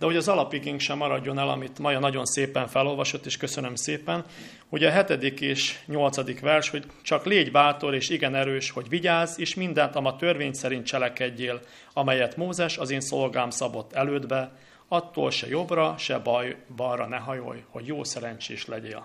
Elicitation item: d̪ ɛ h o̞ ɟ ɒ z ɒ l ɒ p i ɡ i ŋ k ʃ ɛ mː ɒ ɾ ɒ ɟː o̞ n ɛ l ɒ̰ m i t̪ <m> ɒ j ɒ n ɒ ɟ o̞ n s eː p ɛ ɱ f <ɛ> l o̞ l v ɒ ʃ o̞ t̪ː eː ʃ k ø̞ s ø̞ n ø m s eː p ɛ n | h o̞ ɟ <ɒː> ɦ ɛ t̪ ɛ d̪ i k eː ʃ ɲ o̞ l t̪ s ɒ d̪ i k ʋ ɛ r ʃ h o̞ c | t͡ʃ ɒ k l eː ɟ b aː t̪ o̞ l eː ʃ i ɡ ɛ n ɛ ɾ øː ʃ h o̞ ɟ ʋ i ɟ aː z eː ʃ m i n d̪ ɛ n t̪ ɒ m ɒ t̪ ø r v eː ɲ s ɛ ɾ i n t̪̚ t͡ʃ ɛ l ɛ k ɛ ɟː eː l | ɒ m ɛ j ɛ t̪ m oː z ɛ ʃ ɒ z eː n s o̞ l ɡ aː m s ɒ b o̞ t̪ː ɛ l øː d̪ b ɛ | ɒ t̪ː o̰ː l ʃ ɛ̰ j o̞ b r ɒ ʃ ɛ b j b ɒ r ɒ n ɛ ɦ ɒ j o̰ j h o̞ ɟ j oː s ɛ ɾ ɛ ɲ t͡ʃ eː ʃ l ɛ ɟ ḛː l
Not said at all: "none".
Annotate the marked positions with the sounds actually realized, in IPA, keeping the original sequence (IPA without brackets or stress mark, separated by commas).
m, ɛ, ɒ